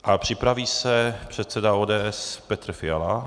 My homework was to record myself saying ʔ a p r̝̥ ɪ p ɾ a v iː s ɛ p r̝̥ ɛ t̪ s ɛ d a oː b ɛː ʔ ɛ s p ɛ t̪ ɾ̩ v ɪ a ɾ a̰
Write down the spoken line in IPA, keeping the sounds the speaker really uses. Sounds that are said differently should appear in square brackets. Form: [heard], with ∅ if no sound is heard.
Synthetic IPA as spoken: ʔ a p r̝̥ ɪ p ɾ a v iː s ɛ p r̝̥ ɛ t̪ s ɛ d a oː [d] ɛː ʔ ɛ s p ɛ t̪ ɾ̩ [f] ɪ a [l] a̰